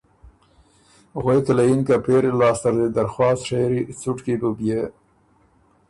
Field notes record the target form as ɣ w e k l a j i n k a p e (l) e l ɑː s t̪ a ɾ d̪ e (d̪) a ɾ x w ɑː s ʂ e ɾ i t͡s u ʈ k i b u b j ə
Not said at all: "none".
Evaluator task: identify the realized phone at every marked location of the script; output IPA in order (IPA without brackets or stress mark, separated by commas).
ɾ, d̪